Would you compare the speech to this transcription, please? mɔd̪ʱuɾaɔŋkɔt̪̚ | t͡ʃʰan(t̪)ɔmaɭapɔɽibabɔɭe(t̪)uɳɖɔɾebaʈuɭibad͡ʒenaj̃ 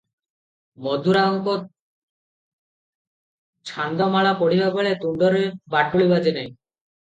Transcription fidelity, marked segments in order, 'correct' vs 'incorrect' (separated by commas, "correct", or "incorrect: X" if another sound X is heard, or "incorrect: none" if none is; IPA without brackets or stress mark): incorrect: d̪, correct